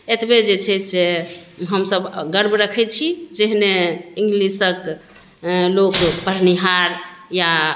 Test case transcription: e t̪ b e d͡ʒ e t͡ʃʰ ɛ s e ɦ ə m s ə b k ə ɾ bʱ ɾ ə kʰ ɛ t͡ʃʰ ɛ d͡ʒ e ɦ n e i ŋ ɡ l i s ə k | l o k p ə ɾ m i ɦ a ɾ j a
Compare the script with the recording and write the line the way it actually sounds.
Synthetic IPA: e t̪ b e d͡ʒ e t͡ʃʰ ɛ s e ɦ ə m s ə b ɡ ə ɾ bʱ ɾ ə kʰ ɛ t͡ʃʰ i d͡ʒ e ɦ n e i ŋ ɡ l i s ə k | l o k p ə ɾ n i ɦ a ɾ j a